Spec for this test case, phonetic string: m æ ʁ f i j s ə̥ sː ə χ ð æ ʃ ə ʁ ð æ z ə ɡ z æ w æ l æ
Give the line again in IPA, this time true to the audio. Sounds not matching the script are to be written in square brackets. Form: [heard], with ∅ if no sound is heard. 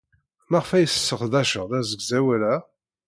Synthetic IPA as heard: m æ ʁ f [æ] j s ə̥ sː ə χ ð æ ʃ ə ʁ ð æ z ə ɡ z æ w æ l æ